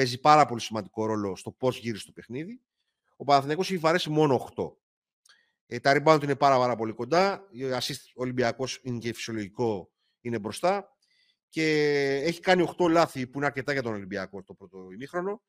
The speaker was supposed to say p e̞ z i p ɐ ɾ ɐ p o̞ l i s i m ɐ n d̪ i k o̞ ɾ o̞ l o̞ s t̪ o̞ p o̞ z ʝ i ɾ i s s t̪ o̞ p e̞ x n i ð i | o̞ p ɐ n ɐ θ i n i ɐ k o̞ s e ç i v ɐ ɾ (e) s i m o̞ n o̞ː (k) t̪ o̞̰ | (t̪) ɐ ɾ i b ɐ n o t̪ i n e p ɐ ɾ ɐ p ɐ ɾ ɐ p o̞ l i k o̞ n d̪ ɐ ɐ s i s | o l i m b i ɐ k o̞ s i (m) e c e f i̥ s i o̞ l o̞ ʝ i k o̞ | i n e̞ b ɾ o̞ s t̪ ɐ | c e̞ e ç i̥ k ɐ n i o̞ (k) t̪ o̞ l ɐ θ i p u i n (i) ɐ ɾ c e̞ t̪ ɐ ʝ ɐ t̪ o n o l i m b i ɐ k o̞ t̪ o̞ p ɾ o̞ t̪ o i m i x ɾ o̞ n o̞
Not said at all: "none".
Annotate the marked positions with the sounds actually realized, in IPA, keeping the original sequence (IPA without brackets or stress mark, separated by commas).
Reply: e, x, t̪, n, x, e